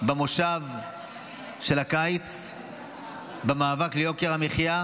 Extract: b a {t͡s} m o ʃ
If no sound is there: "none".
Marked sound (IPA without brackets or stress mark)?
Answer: none